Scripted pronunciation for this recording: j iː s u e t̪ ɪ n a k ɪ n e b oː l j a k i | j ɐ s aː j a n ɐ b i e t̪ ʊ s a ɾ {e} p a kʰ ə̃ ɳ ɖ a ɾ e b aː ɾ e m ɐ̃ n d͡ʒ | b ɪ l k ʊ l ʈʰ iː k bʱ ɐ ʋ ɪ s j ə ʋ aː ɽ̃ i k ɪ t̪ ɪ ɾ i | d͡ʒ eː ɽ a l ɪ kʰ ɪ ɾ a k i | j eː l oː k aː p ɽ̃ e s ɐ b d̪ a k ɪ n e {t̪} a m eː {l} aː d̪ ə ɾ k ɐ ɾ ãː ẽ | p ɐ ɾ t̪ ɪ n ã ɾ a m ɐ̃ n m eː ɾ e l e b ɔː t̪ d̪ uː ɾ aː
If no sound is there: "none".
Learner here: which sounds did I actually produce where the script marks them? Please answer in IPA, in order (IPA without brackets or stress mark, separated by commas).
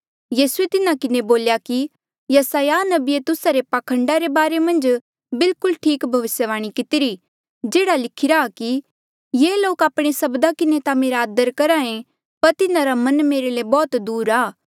e, t̪, ɾ